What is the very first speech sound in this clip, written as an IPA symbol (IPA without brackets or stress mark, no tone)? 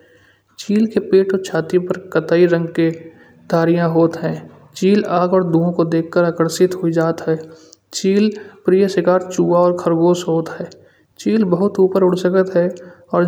t͡ʃ